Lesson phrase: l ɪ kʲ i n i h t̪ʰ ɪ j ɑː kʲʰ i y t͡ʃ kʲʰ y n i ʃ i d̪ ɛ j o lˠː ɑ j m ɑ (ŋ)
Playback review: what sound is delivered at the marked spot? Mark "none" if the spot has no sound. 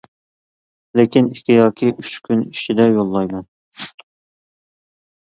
n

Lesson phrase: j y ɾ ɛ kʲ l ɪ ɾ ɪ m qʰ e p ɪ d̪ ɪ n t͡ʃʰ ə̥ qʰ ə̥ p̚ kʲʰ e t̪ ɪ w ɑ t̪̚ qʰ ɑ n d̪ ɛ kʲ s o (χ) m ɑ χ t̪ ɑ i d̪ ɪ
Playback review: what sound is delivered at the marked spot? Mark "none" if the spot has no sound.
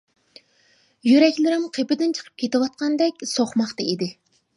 χ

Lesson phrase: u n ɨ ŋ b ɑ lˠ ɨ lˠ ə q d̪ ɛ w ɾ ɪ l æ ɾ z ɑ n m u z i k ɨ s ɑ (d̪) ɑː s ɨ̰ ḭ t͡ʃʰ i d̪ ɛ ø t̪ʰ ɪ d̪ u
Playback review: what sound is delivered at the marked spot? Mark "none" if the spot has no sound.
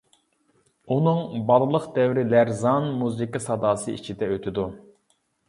d̪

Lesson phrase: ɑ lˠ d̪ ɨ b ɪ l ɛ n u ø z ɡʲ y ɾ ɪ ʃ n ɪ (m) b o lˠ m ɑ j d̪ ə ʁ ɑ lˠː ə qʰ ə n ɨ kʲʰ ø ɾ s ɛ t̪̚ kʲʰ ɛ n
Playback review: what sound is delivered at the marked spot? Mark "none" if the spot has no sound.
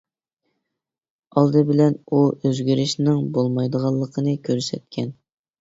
ŋ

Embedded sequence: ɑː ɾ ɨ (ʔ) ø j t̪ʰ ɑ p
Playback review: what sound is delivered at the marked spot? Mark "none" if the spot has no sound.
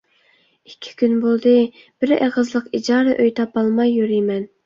ʔ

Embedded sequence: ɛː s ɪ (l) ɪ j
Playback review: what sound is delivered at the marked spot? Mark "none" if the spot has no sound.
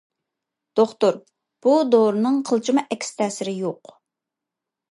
ɾ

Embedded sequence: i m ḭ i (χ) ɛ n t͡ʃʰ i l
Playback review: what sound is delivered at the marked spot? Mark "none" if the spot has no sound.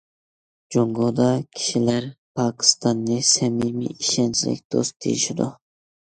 ʃ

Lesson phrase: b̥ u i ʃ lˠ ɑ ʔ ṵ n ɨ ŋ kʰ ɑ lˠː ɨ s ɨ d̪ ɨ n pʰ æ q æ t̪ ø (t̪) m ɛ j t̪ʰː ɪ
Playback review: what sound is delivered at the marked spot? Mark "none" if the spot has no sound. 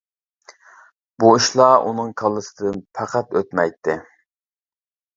t̪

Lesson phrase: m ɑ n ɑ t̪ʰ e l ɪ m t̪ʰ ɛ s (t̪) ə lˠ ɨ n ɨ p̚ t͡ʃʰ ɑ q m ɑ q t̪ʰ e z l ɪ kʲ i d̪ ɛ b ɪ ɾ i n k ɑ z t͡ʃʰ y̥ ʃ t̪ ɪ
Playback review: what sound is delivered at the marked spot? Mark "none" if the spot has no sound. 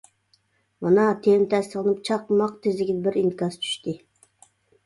t̪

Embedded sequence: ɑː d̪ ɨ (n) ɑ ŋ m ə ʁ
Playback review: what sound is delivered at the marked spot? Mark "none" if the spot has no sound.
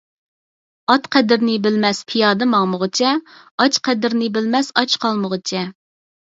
m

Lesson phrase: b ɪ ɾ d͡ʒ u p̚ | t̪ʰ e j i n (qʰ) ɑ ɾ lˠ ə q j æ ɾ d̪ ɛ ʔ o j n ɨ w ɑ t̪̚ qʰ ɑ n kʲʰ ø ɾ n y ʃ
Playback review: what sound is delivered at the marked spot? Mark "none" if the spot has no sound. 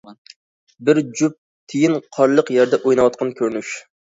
qʰ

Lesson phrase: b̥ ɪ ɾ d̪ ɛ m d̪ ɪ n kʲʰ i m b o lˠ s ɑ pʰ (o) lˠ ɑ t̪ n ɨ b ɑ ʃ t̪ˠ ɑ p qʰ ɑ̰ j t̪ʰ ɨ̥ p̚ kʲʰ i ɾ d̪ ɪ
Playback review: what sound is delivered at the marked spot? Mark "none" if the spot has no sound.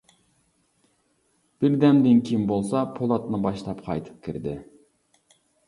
o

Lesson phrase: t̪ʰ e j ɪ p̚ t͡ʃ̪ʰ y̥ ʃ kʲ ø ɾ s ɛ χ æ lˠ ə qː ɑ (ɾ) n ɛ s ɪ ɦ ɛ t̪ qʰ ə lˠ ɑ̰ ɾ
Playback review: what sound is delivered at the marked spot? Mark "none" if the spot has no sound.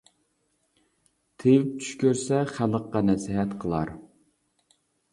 none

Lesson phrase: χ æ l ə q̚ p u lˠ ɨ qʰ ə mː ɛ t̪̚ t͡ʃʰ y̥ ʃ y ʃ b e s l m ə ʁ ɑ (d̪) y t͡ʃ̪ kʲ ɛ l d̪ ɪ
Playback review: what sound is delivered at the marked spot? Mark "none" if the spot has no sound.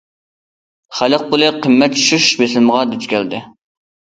d̪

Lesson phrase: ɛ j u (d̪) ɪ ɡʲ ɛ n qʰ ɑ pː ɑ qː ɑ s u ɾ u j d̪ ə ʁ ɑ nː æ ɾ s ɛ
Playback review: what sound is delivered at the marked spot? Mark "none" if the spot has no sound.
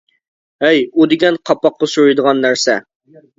d̪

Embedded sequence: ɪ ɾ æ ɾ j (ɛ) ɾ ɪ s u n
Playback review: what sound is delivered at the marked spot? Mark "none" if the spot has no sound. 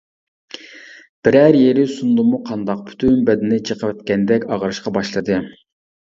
e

